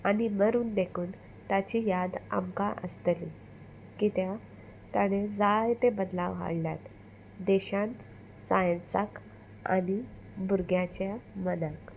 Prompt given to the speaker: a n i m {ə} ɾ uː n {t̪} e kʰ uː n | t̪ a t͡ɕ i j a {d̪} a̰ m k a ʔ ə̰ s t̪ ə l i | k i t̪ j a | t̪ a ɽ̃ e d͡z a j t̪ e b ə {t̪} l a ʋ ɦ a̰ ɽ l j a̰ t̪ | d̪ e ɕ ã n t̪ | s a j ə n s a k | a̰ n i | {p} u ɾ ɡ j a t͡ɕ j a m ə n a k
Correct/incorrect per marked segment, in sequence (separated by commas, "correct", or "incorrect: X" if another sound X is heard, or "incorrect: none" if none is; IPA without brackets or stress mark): correct, incorrect: d̪, correct, incorrect: d̪, incorrect: b